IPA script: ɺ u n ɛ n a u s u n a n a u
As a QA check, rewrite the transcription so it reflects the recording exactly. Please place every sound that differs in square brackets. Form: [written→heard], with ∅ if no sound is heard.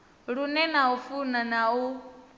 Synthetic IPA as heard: ɺ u n ɛ n a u [s→f] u n a n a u

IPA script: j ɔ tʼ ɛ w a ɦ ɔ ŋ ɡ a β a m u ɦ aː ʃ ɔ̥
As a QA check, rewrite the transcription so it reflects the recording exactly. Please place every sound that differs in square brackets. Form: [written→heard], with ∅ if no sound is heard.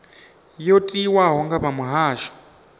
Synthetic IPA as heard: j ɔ tʼ [ɛ→i] w a ɦ ɔ ŋ ɡ a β a m u ɦ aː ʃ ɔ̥

